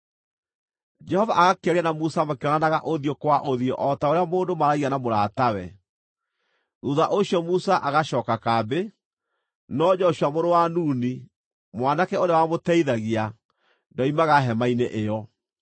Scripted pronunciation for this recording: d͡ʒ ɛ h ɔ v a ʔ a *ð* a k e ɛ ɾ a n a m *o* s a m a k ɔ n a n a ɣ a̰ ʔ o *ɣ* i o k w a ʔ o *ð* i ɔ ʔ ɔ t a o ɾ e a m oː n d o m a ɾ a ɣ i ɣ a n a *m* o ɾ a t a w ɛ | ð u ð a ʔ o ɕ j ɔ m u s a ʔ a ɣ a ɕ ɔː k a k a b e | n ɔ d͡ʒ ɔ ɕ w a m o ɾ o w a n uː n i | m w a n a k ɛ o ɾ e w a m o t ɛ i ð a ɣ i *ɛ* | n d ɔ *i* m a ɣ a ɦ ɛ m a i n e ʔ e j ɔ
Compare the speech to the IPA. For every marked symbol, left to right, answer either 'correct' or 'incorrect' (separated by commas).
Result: incorrect, incorrect, incorrect, correct, correct, incorrect, correct